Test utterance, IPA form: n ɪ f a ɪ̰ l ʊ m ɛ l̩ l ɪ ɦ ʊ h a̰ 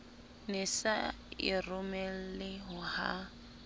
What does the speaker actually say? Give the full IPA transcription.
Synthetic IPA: n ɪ s a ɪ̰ r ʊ m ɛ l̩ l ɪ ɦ ʊ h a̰